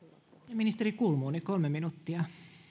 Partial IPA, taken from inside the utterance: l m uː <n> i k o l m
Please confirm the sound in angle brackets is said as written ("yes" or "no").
yes